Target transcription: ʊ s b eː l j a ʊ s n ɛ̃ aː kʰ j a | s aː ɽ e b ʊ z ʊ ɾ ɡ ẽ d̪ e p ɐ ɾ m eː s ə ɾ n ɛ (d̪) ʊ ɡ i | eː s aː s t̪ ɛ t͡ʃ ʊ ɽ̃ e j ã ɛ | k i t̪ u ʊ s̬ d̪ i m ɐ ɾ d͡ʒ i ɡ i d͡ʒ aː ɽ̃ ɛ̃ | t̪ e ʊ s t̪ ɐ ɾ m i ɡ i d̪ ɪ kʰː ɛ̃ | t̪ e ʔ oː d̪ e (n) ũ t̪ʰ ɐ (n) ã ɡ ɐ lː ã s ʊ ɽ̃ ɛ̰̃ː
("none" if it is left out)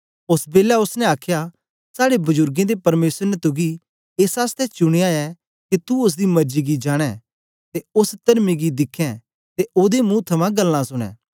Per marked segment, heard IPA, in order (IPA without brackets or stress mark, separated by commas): t̪, m, m